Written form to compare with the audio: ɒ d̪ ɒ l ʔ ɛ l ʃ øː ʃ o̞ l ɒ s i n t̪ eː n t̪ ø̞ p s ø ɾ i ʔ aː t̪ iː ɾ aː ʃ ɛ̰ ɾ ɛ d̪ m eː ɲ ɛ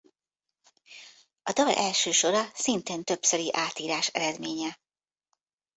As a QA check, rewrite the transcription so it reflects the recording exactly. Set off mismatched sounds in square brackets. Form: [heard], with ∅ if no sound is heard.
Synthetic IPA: ɒ d̪ ɒ l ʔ ɛ l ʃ øː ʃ o̞ [ɾ] ɒ s i n t̪ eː n t̪ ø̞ p s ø ɾ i ʔ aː t̪ iː ɾ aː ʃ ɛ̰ ɾ ɛ d̪ m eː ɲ ɛ

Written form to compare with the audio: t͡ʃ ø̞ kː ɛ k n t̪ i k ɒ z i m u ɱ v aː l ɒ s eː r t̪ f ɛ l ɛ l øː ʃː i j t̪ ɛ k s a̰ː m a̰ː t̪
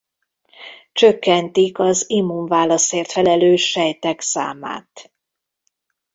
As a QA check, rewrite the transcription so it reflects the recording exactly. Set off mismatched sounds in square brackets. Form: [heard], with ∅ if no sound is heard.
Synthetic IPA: t͡ʃ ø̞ kː ɛ [∅] n t̪ i k ɒ z i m u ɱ v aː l ɒ s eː r t̪ f ɛ l ɛ l øː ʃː [ɛ] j t̪ ɛ k s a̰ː m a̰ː t̪

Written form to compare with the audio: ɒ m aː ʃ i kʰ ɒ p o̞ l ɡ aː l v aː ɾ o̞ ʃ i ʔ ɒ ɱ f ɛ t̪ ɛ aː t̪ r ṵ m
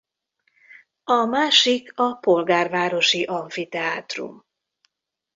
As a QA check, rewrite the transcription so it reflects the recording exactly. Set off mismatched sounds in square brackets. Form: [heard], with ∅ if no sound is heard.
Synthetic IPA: ɒ m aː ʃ i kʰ ɒ p o̞ l ɡ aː [r] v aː ɾ o̞ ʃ i ʔ ɒ ɱ f [i] t̪ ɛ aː t̪ r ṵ m

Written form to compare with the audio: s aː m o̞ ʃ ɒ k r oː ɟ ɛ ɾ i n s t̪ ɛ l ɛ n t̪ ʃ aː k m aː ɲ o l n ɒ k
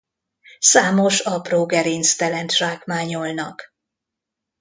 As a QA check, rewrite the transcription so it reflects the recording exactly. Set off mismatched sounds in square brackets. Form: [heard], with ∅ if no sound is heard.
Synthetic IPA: s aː m o̞ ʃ ɒ [p] r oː [ɡ] ɛ ɾ i n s t̪ ɛ l ɛ n t̪ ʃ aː k m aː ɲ o l n ɒ k

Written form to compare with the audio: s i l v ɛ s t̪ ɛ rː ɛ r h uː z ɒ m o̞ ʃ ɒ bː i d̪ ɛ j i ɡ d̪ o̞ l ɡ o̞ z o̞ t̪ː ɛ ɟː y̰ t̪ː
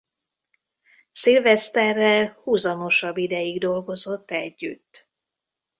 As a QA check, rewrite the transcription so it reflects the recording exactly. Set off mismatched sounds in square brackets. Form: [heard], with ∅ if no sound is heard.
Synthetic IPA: s i l v ɛ s t̪ ɛ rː ɛ [l] h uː z ɒ m o̞ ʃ ɒ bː i d̪ ɛ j i ɡ d̪ o̞ l ɡ o̞ z o̞ t̪ː ɛ ɟː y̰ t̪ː

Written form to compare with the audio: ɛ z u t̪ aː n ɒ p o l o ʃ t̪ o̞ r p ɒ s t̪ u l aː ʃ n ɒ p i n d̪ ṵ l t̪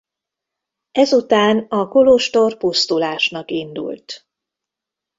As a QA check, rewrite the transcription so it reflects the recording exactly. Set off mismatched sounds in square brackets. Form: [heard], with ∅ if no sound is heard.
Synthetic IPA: ɛ z u t̪ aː n ɒ [k] o l o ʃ t̪ o̞ r p [u] s t̪ u l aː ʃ n ɒ [k] i n d̪ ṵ l t̪

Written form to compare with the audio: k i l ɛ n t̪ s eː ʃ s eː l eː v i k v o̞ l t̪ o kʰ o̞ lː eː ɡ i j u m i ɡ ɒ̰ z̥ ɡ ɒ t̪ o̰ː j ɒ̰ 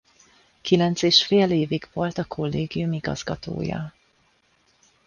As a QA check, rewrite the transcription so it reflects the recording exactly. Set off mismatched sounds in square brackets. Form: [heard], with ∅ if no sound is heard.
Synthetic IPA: k i l ɛ n t̪ s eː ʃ [f] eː l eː v i [ɡ] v o̞ l t̪ [ɒ] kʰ o̞ lː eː ɡ i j u m i ɡ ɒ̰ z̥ ɡ ɒ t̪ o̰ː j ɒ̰

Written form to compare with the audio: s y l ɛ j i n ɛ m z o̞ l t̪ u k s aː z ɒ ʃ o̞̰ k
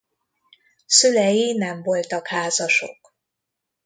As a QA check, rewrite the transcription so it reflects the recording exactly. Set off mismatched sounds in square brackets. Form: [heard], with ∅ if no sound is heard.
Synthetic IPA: s y l ɛ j i n ɛ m [v] o̞ l t̪ [ɒ] k [h] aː z ɒ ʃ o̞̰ k

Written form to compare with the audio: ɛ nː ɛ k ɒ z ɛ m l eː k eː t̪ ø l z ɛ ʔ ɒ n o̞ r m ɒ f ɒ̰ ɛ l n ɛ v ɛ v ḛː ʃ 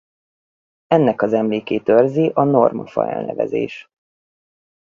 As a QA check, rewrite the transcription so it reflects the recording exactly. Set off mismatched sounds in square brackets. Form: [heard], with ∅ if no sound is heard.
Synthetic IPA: ɛ nː ɛ k ɒ z ɛ m l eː k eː t̪ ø [r] z [i] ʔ ɒ n o̞ r m ɒ f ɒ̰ ɛ l n ɛ v ɛ [z] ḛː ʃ

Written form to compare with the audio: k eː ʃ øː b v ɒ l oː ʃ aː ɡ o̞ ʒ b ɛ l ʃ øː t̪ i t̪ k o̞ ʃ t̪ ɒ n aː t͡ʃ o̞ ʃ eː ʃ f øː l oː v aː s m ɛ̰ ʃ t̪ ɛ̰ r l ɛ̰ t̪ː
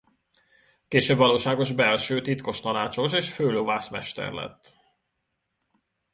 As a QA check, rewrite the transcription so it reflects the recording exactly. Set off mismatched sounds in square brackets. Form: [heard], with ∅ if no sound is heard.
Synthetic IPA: k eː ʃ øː b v ɒ l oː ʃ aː ɡ o̞ ʒ b ɛ l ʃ øː t̪ i t̪ k o̞ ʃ t̪ ɒ n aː t͡ʃ o̞ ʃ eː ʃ f øː l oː v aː s m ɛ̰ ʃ t̪ ɛ̰ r l ɛ̰ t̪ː

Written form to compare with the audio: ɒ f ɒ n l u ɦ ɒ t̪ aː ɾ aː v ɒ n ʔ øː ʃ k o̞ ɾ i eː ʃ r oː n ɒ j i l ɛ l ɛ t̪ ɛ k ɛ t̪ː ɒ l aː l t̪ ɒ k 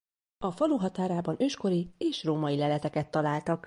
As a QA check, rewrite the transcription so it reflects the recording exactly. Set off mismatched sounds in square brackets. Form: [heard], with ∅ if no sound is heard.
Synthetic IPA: ɒ f ɒ [∅] l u ɦ ɒ t̪ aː ɾ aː [b] ɒ n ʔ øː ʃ k o̞ ɾ i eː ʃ r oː [m] ɒ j i l ɛ l ɛ t̪ ɛ k ɛ t̪ː ɒ l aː l t̪ ɒ k

